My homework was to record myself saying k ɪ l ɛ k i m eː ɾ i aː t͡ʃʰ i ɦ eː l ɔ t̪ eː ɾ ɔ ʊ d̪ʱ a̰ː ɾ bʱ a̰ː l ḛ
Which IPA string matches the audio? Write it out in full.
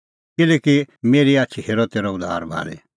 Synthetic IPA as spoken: k ɪ l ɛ k i m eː ɾ i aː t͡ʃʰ i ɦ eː ɾ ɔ t̪ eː ɾ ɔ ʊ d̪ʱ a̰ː ɾ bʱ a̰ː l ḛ